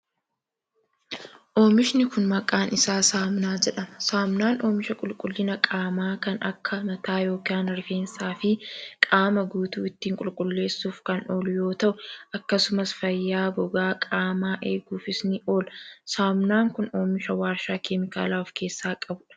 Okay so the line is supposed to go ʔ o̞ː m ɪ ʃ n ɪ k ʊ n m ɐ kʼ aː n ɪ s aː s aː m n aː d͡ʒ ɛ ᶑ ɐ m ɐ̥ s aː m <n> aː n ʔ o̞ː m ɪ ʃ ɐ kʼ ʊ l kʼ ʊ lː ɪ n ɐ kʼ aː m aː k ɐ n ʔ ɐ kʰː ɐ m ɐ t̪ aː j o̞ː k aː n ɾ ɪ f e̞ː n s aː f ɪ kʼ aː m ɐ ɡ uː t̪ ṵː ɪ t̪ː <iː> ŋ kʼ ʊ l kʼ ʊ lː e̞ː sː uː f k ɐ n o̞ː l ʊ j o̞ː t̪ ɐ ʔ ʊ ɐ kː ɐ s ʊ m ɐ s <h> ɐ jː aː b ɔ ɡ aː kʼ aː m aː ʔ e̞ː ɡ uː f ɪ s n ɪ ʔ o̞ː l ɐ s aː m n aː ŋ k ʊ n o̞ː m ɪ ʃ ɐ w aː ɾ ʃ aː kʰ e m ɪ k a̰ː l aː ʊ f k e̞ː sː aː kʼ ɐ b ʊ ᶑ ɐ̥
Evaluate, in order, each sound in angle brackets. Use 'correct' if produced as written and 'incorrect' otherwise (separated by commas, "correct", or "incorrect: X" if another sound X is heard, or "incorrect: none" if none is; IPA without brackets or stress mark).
correct, correct, incorrect: f